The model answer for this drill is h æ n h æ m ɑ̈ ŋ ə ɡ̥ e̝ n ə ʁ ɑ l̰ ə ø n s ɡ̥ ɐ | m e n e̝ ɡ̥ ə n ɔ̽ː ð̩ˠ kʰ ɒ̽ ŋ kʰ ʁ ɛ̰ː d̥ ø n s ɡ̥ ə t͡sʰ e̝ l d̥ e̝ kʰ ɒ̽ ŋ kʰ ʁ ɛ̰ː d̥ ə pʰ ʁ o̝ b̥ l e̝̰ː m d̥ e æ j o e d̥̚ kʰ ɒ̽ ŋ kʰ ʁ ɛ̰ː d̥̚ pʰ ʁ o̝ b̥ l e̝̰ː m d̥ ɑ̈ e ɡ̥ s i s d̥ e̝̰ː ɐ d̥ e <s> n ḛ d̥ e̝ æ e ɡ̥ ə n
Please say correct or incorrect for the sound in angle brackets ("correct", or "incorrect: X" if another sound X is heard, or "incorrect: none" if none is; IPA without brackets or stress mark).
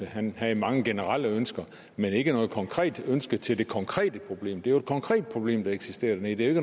incorrect: none